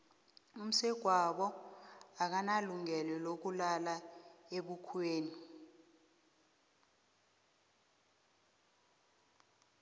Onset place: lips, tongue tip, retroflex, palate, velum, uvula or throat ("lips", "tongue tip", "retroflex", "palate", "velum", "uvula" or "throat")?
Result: lips